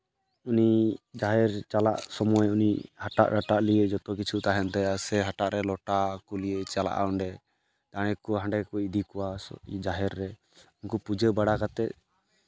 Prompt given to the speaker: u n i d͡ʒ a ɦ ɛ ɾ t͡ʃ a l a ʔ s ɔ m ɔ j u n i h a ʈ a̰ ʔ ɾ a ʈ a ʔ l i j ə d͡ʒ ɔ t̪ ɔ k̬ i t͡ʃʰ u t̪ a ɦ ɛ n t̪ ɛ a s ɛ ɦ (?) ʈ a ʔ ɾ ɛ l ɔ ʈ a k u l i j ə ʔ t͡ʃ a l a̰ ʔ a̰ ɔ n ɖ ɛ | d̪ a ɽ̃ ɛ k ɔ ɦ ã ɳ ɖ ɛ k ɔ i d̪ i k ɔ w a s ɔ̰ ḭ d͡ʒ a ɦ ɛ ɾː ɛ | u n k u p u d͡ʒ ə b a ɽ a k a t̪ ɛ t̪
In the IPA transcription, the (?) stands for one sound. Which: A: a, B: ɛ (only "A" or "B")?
A